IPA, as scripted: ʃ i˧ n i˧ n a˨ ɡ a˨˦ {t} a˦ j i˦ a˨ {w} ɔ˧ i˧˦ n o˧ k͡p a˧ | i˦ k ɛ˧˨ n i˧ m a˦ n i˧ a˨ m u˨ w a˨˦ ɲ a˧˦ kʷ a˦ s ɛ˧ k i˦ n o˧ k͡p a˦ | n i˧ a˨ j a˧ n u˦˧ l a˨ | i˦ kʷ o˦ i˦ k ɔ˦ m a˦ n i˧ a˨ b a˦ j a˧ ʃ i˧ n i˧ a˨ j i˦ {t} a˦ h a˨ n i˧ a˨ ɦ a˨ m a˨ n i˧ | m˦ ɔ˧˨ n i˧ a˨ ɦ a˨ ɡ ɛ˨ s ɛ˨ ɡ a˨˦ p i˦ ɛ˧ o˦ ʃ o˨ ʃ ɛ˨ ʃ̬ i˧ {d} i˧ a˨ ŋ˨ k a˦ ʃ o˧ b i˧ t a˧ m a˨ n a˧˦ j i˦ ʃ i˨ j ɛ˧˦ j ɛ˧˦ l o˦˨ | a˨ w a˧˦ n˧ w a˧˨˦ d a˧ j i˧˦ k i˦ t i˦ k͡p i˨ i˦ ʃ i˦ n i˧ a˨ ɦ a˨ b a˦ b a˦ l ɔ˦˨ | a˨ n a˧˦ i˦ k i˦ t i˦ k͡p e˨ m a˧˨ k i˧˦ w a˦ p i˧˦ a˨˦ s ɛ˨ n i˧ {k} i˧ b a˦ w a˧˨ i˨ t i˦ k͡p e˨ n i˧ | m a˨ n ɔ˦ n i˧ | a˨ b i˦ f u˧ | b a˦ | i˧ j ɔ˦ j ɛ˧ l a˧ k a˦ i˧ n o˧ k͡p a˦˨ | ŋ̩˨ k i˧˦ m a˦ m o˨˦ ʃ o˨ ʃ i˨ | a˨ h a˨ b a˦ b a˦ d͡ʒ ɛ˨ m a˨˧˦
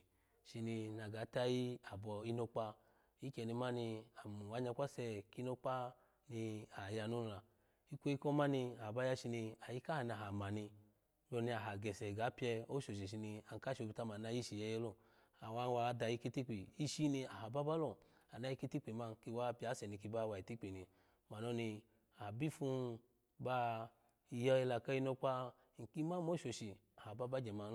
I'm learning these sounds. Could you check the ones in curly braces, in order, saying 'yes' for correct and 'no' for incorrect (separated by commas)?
yes, no, no, no, yes